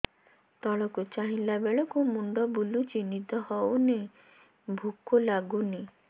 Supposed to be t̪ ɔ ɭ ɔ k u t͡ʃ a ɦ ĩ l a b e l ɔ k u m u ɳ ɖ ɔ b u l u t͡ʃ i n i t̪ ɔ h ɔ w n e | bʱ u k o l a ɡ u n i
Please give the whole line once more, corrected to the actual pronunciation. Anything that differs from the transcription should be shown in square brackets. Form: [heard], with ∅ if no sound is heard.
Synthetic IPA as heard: t̪ ɔ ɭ ɔ k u t͡ʃ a ɦ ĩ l a b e [ɭ] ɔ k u m u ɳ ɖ ɔ b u l u t͡ʃ i n i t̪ ɔ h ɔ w n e | bʱ u k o l a ɡ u n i